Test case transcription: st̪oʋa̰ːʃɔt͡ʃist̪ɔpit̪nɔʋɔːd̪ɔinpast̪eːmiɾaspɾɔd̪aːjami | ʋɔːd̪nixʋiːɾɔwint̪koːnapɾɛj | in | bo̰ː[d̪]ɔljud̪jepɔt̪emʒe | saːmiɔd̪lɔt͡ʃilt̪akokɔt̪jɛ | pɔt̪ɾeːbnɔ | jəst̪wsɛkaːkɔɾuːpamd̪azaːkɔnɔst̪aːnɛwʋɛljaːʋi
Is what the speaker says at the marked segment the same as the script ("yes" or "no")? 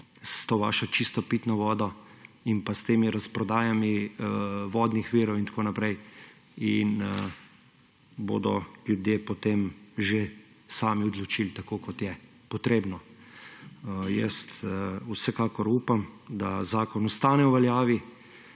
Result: yes